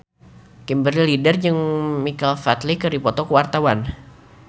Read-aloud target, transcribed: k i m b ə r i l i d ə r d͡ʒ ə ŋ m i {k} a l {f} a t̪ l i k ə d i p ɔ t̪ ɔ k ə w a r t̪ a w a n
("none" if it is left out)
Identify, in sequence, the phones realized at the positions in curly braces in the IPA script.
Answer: k, f

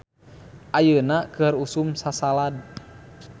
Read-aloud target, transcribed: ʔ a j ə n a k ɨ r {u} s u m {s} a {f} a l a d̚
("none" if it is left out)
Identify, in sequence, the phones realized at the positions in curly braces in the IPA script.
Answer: u, s, s

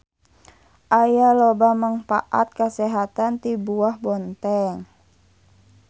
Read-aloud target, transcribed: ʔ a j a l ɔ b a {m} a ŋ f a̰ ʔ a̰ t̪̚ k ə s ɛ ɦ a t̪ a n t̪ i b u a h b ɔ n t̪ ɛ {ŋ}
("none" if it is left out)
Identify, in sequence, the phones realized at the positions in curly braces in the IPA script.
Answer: m, ŋ

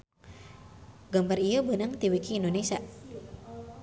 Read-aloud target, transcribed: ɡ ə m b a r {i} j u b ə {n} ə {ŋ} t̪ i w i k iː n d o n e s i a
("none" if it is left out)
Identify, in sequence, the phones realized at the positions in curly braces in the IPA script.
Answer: i, n, ŋ

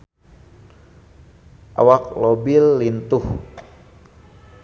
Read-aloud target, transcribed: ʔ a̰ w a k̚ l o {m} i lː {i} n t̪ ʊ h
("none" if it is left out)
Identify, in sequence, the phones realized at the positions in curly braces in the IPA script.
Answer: b, i

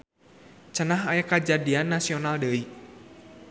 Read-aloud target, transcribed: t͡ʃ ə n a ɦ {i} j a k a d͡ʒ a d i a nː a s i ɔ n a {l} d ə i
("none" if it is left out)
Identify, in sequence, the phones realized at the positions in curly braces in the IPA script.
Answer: a, l

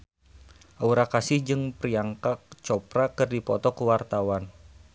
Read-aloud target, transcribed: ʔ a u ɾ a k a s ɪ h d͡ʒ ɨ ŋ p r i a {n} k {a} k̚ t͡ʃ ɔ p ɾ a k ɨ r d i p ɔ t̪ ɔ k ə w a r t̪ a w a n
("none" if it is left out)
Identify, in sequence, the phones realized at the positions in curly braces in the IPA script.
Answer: ŋ, a

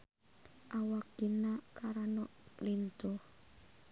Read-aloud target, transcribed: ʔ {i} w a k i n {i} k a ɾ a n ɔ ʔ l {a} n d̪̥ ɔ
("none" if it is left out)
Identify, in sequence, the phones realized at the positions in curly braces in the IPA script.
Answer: a, a, i

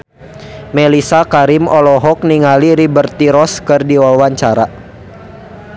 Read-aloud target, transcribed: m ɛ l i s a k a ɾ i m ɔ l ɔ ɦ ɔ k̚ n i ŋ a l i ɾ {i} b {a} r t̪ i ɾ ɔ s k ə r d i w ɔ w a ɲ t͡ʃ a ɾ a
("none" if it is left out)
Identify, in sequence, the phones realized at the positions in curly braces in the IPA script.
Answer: i, ə

